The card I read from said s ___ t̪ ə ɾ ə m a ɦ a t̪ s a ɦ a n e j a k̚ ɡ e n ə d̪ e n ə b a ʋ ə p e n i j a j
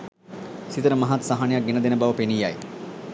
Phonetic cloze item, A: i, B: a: A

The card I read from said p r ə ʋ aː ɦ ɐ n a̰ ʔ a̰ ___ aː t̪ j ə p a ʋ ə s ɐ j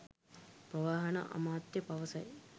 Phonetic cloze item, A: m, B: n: A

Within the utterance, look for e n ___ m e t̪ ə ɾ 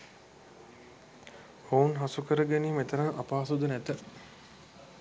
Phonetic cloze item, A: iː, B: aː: A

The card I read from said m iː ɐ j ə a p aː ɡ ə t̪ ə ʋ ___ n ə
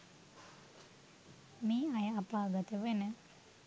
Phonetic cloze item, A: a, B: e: B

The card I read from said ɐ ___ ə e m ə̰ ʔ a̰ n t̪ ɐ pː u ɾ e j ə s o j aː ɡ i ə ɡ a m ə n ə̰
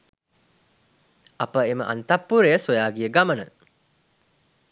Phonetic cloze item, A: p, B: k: A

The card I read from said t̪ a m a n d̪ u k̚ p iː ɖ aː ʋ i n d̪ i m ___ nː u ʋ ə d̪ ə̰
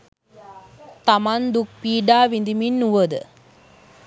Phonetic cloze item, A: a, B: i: B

